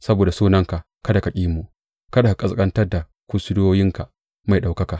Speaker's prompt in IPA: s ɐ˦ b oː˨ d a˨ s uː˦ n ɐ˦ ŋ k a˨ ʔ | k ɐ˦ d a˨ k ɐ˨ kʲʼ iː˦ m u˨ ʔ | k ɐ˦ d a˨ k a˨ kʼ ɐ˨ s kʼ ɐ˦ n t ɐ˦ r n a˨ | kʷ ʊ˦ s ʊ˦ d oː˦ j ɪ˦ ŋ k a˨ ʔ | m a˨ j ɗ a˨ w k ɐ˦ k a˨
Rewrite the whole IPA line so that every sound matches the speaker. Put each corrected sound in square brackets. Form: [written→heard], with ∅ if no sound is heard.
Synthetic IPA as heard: s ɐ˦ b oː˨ d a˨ s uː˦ n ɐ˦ ŋ k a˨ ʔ | k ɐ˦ d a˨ k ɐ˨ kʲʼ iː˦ m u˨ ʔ | k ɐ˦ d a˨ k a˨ kʼ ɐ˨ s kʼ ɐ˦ n t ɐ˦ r [n→d] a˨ | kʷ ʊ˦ s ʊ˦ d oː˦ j ɪ˦ ŋ k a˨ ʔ | m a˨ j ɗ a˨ w k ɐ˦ k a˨